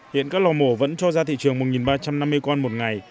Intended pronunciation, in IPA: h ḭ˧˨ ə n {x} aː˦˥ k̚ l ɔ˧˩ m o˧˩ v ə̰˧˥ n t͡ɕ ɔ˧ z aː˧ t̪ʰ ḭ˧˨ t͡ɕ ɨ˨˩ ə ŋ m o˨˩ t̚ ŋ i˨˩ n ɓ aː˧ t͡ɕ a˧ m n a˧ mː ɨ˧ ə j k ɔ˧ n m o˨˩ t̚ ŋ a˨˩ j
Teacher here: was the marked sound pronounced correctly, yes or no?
no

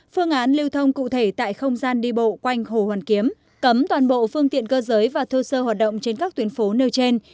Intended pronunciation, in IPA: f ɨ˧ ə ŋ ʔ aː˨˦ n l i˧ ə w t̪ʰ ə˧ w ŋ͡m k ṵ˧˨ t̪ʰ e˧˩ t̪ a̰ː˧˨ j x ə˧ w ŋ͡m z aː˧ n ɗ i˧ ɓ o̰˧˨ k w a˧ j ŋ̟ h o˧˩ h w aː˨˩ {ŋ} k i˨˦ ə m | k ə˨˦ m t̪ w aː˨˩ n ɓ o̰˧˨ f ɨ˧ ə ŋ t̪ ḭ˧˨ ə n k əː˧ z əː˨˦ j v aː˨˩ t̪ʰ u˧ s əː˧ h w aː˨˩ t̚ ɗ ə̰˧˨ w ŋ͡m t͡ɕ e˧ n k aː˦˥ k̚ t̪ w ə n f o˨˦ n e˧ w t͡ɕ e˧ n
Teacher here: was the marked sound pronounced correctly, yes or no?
no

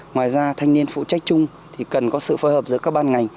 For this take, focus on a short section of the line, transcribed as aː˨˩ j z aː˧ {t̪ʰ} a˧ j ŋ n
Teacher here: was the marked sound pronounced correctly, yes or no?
yes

